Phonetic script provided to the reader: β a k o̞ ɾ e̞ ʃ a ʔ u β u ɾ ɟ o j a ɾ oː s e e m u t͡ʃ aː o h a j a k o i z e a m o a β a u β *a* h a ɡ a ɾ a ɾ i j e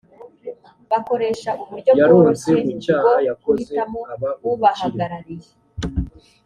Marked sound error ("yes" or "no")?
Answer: no